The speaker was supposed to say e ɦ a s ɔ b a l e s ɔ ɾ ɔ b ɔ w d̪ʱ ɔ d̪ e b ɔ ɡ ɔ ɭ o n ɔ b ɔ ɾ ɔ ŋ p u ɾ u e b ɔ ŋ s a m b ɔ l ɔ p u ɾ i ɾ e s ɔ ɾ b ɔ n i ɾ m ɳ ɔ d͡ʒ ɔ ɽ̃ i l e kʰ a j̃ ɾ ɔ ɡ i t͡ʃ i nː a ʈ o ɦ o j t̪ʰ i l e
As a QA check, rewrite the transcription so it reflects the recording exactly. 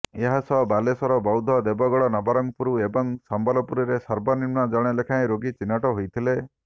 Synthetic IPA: e ɦ a s ɔ b a l e s ɔ ɾ ɔ b ɔ w d̪ʱ ɔ d̪ e b ɔ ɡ ɔ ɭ ɔ n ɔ b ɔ ɾ ɔ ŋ p u ɾ u e b ɔ ŋ s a m b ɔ l ɔ p u ɾ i ɾ e s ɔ ɾ b ɔ n i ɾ m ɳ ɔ d͡ʒ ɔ ɽ̃ e l e kʰ a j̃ ɾ o ɡ i t͡ʃ i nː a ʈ ɔ ɦ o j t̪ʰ i l e